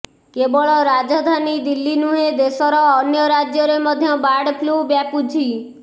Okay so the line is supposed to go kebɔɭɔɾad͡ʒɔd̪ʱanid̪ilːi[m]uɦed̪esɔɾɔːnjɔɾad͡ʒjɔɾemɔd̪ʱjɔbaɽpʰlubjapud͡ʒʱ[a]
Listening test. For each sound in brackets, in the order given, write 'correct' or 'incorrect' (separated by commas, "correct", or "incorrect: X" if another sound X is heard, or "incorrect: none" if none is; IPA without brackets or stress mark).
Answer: incorrect: n, incorrect: i